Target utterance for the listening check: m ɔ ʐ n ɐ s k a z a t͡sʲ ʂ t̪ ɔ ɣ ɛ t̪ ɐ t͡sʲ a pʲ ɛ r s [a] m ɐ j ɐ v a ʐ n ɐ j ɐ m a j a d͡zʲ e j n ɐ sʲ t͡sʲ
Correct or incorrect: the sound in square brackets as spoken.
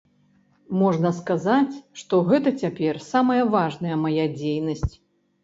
correct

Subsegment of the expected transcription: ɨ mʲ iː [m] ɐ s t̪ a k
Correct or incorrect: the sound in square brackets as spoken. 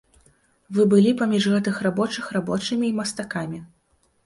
correct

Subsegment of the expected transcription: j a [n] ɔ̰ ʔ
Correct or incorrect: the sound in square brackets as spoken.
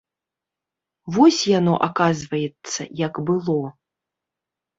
correct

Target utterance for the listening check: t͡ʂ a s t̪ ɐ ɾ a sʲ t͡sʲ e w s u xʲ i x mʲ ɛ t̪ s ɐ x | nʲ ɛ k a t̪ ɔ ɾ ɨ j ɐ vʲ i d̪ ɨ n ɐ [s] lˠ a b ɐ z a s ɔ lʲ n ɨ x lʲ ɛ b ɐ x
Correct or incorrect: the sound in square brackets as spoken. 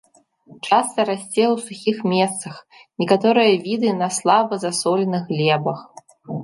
correct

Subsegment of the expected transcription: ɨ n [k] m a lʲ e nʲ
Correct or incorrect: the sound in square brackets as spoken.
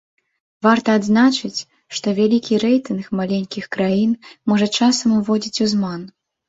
incorrect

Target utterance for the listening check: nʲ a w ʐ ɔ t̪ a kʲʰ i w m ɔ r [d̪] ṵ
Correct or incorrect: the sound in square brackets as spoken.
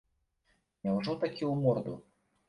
correct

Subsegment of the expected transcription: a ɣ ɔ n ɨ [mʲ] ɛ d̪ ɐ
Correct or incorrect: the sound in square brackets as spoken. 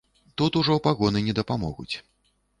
incorrect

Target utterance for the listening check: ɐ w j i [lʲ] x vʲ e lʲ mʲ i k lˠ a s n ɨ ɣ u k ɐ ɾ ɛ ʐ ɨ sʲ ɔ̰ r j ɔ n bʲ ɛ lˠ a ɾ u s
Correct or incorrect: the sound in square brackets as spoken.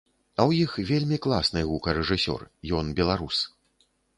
incorrect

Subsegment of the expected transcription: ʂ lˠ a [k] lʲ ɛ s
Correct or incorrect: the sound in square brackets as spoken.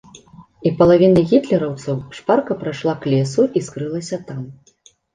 correct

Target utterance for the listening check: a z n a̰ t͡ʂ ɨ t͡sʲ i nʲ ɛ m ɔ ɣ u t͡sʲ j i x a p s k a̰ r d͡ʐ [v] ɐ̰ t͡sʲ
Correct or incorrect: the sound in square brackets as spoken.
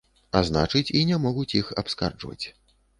correct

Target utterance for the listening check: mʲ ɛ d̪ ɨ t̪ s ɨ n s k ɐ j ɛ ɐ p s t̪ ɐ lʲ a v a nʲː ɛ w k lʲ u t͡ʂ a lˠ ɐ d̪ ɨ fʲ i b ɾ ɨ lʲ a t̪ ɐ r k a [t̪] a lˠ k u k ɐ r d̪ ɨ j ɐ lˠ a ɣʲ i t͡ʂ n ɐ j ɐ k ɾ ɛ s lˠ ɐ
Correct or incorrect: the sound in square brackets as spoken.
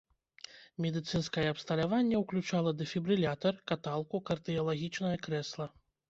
correct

